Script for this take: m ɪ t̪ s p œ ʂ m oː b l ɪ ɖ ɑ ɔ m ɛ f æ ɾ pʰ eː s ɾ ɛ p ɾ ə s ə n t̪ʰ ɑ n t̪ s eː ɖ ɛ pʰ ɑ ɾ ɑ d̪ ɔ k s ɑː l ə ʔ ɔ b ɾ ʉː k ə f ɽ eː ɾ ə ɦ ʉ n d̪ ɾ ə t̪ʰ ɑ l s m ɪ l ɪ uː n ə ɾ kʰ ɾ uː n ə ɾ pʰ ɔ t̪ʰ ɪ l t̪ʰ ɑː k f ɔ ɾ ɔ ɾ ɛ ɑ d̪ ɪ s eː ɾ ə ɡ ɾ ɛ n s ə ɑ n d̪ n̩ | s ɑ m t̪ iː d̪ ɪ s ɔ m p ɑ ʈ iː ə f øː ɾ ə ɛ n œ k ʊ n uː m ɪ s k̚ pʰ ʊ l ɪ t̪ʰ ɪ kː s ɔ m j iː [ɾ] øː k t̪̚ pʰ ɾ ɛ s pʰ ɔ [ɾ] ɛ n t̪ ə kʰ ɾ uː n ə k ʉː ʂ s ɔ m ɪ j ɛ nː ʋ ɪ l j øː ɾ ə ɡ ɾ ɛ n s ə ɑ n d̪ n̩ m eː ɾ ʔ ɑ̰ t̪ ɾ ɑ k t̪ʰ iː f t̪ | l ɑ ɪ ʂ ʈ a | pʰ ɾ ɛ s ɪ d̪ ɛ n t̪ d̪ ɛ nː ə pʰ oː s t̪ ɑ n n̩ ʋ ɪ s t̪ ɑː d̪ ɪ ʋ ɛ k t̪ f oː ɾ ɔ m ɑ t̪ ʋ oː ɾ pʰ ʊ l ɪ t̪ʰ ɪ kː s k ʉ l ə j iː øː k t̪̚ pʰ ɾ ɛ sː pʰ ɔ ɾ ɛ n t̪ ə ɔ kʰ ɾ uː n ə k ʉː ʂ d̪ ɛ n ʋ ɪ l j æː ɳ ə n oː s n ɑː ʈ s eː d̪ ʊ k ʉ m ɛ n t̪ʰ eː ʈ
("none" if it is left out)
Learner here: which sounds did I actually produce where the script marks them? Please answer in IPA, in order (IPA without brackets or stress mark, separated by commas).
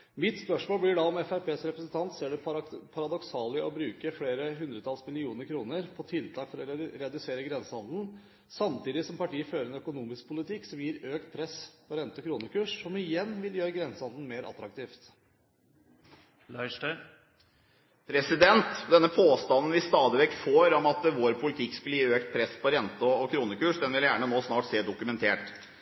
ɾ, ɾ